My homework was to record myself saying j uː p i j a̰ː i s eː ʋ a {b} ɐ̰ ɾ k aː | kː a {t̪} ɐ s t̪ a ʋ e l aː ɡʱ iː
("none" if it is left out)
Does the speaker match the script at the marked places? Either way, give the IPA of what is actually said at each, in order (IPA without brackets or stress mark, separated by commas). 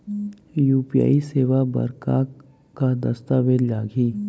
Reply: b, d̪